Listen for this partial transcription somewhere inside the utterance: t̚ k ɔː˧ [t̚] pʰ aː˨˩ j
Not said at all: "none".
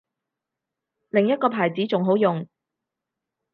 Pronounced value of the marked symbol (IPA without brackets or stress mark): none